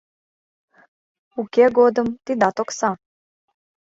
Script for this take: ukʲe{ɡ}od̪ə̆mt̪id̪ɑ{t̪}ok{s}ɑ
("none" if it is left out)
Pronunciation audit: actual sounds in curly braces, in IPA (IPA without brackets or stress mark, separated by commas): ɡ, t̪, s